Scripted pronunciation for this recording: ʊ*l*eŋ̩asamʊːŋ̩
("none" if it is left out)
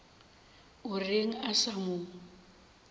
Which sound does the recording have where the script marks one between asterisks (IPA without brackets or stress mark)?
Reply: r